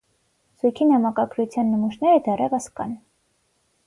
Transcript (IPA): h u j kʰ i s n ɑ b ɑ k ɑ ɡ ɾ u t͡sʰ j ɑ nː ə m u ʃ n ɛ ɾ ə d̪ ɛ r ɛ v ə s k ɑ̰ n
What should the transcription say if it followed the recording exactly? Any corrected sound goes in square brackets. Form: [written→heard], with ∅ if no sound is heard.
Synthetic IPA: [h→s] u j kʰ i [s→∅] n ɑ [b→m] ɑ k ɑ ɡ ɾ u t͡sʰ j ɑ nː ə m u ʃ n ɛ ɾ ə d̪ ɛ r ɛ v ə s k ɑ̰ n